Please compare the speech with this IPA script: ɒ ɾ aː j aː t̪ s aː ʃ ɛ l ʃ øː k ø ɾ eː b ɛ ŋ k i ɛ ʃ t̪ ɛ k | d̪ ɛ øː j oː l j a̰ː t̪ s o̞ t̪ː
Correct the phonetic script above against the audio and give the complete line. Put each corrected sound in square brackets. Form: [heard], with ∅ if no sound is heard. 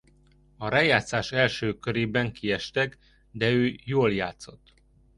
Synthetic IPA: ɒ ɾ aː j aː t̪ s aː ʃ ɛ l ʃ øː k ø ɾ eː b ɛ ŋ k i ɛ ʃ t̪ ɛ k | d̪ ɛ øː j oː l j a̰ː t̪ s o̞ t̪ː